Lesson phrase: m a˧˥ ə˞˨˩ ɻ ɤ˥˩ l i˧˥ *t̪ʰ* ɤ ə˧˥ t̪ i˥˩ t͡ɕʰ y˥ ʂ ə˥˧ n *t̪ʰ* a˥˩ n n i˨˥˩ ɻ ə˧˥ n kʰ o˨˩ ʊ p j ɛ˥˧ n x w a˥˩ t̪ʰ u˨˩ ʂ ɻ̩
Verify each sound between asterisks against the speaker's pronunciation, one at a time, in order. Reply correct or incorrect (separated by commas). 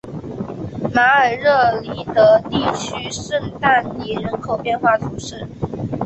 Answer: incorrect, incorrect